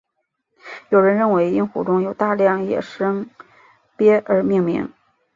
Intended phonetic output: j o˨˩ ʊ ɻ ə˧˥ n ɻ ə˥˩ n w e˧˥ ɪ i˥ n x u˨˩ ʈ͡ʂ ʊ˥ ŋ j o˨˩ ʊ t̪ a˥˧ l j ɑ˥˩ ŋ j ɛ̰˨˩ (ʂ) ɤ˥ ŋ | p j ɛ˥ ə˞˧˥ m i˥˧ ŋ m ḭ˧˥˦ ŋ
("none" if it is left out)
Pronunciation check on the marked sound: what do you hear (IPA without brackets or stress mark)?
ʂ